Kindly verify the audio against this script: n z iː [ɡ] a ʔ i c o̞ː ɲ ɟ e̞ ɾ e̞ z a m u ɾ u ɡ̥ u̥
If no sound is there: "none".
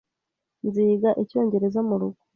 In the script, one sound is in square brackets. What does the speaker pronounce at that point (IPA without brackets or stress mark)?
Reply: ɡ